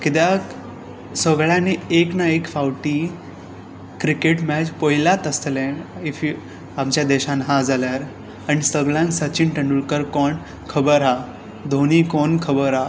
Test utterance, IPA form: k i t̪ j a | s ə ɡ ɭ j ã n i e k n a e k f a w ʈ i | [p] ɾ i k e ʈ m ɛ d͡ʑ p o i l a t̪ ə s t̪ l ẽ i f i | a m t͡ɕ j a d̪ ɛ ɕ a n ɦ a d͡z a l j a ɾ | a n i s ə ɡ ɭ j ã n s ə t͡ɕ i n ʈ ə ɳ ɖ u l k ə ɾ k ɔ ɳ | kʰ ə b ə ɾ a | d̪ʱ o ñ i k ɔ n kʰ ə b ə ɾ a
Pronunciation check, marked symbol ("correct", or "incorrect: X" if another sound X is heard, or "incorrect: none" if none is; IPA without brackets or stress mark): incorrect: k